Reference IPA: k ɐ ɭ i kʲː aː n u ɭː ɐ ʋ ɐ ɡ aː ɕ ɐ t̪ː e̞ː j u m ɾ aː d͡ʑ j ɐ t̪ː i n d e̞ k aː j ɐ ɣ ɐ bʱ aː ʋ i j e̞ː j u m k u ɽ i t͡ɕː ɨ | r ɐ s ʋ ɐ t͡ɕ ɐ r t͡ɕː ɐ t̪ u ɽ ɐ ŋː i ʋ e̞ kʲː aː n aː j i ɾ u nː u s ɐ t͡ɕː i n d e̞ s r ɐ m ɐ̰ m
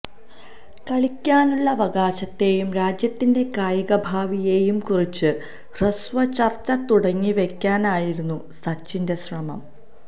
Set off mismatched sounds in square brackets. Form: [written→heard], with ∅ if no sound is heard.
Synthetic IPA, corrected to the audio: k ɐ ɭ i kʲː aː n u ɭː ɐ ʋ ɐ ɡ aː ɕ ɐ t̪ː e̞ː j u m ɾ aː d͡ʑ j ɐ t̪ː i n d e̞ k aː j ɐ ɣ ɐ bʱ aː ʋ i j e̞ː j u m k u [ɽ→r] i t͡ɕː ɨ | r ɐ s ʋ ɐ t͡ɕ ɐ r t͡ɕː ɐ t̪ u ɽ ɐ ŋː i ʋ e̞ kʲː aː n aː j i ɾ u nː u s ɐ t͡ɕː i n d e̞ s r ɐ m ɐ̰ m

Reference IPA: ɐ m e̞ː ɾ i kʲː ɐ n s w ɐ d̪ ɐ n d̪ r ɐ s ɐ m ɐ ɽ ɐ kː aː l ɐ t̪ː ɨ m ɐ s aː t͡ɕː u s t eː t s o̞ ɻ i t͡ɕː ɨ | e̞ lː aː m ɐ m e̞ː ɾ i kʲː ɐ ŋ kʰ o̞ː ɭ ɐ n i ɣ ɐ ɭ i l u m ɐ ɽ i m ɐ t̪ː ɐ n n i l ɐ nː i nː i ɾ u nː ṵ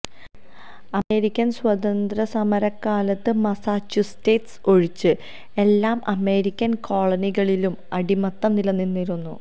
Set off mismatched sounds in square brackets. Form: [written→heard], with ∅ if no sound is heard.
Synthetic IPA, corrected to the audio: ɐ m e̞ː ɾ i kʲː ɐ n s w ɐ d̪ ɐ n d̪ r ɐ s ɐ m ɐ [ɽ→ɾ] ɐ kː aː l ɐ t̪ː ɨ m ɐ s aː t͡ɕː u s t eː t s o̞ ɻ i t͡ɕː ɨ | e̞ lː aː m ɐ m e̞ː ɾ i kʲː ɐ [ŋ→n] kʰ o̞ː ɭ ɐ n i ɣ ɐ ɭ i l u m ɐ ɽ i m ɐ t̪ː ɐ [n→m] n i l ɐ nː i nː i ɾ u nː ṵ

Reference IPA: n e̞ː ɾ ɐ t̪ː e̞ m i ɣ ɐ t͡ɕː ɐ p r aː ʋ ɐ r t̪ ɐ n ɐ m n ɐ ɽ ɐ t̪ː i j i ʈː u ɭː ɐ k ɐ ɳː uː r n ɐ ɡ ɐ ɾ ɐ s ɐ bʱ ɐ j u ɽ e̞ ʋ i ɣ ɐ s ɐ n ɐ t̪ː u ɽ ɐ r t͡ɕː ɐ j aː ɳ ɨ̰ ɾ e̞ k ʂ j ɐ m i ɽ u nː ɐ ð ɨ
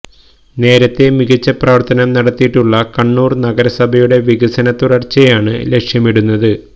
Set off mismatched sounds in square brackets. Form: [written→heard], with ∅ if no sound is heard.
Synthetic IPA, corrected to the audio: n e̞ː ɾ ɐ t̪ː e̞ m i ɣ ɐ t͡ɕː ɐ p r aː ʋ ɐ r t̪ ɐ n ɐ m n ɐ ɽ ɐ t̪ː i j i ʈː u ɭː ɐ k ɐ ɳː uː r n ɐ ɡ ɐ ɾ ɐ s ɐ bʱ ɐ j u ɽ e̞ ʋ i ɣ ɐ s ɐ n ɐ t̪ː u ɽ ɐ r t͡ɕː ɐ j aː ɳ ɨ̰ [ɾ→l] e̞ k ʂ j ɐ m i ɽ u nː ɐ ð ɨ

